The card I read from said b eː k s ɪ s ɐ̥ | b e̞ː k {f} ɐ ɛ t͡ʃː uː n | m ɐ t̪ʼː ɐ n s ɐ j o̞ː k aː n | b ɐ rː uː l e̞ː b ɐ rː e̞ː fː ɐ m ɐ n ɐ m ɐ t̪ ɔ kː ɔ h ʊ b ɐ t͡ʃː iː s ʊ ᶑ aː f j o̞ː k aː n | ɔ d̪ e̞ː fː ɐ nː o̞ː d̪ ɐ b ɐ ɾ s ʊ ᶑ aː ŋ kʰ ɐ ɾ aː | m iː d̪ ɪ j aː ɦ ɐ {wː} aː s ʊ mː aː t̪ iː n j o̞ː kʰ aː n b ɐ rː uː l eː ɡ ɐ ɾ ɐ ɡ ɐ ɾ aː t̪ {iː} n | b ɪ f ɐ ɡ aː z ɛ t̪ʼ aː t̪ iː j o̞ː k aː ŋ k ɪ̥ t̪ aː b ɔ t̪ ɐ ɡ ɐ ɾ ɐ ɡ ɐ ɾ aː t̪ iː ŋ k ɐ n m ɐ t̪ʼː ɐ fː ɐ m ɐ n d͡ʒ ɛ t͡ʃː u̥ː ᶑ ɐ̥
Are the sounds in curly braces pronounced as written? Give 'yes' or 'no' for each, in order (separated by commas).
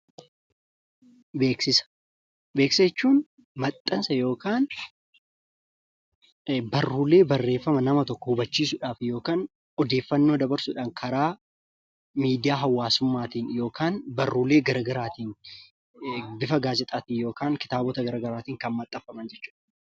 no, yes, yes